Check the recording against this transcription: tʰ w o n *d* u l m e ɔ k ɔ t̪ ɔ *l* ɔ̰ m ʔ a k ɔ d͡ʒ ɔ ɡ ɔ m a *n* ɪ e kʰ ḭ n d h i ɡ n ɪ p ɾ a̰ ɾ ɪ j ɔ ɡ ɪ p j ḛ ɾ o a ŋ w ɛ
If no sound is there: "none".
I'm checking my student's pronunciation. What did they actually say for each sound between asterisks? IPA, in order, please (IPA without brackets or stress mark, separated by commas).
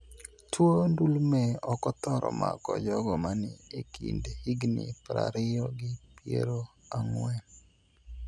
d, ɾ, n